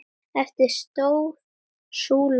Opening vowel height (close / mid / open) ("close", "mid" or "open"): mid